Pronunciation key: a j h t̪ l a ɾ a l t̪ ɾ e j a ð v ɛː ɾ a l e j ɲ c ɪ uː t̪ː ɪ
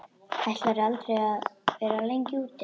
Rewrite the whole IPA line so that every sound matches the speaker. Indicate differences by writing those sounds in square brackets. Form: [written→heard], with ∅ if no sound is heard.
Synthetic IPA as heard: a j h t̪ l a ɾ a l t̪ ɾ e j a ð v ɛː ɾ a l e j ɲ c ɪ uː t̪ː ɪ